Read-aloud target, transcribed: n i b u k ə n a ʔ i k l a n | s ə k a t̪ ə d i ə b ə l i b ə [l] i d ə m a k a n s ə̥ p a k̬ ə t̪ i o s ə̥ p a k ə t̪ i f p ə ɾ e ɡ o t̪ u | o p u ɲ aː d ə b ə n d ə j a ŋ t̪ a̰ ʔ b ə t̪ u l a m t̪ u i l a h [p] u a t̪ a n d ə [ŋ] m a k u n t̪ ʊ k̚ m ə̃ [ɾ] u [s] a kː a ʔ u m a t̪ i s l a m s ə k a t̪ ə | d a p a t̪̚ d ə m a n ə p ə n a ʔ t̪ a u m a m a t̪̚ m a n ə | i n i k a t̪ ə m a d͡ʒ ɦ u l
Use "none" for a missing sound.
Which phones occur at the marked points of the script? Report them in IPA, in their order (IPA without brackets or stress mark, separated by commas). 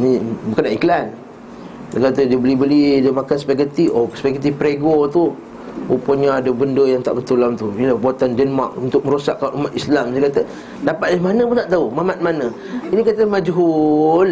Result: l, b, n, ɾ, s